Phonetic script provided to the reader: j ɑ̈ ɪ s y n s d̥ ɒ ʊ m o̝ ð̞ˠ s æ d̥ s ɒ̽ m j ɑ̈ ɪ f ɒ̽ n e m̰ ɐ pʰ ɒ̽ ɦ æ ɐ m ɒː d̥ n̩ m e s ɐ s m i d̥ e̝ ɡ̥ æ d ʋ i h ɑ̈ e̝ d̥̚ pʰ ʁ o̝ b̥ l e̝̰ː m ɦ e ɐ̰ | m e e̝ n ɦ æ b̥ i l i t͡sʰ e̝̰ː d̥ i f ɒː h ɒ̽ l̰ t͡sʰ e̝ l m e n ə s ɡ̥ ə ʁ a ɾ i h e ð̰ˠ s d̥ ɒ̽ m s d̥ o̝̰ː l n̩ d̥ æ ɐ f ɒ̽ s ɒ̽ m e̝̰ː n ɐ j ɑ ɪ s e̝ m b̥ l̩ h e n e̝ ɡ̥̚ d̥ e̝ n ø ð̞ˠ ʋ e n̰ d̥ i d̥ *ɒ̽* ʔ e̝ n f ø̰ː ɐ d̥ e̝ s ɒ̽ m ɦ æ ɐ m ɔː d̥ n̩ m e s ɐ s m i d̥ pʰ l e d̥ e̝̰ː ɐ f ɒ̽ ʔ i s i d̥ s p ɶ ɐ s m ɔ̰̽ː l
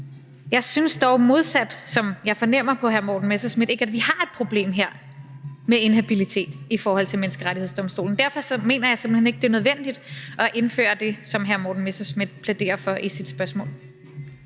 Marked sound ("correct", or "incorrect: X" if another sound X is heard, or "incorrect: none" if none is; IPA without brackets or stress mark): correct